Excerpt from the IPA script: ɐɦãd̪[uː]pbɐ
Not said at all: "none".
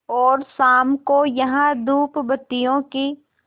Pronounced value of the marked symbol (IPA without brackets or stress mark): uː